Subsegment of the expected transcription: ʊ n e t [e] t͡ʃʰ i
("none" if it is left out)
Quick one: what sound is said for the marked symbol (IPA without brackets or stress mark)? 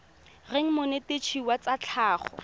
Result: e